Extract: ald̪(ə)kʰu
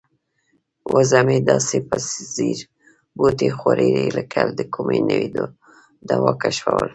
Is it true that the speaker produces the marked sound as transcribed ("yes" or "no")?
yes